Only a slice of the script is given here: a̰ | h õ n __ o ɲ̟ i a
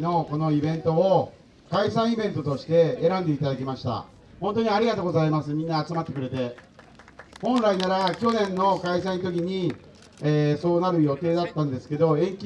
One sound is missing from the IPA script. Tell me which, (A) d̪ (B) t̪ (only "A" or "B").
B